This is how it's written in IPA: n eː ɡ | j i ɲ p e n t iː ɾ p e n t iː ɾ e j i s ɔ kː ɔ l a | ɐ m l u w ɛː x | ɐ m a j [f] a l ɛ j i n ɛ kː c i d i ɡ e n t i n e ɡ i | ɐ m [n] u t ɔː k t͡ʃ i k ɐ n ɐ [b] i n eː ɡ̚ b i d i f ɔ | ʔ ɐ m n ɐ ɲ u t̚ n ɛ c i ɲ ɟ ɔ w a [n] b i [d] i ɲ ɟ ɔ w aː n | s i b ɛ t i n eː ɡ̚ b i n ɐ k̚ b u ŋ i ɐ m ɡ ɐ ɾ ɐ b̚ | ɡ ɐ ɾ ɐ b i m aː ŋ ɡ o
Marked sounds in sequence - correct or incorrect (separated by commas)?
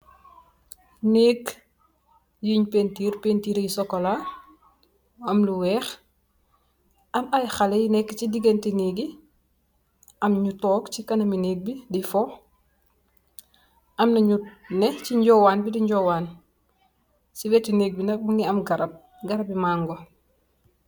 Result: incorrect, incorrect, incorrect, correct, correct